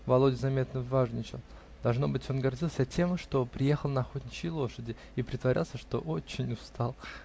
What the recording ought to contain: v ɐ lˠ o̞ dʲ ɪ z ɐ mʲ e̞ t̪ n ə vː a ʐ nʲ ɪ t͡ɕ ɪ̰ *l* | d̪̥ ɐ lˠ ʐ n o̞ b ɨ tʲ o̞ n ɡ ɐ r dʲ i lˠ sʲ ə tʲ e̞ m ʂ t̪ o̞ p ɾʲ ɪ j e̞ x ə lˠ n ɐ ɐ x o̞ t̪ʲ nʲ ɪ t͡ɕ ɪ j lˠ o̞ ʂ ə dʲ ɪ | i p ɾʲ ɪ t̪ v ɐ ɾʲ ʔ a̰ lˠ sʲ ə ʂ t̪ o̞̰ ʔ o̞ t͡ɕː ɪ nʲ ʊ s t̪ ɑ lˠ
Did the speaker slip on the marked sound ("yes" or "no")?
no